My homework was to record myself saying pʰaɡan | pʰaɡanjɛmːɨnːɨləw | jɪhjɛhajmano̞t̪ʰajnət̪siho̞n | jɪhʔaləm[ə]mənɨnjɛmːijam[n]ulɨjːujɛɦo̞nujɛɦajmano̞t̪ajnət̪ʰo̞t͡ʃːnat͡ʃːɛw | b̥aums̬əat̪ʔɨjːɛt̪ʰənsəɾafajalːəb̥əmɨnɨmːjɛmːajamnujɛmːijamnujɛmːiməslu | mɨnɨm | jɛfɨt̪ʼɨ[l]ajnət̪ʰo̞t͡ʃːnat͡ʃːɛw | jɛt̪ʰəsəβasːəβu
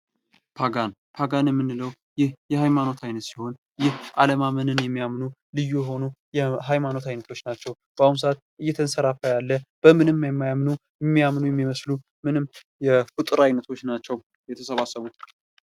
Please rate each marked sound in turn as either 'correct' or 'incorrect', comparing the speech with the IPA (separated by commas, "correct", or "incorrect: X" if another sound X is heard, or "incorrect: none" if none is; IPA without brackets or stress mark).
incorrect: a, correct, incorrect: ɾ